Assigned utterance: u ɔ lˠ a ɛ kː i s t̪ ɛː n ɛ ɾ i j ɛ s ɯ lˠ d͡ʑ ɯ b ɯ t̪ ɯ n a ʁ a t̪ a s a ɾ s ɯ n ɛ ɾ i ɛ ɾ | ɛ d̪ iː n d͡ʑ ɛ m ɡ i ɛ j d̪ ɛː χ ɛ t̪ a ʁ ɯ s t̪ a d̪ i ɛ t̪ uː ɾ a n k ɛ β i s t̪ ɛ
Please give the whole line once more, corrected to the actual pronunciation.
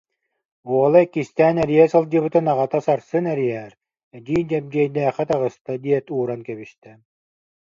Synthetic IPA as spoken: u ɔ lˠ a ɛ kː i s t̪ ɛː n ɛ ɾ i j ɛ s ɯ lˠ d͡ʑ ɯ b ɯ t̪ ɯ n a ʁ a t̪ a s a ɾ s ɯ n ɛ ɾ i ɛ ɾ | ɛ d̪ iː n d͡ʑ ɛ m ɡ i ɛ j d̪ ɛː χ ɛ t̪ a ʁ ɯ s t̪ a d̪ i ɛ t̪ uː ɾ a n k ɛ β i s t̪ ɛ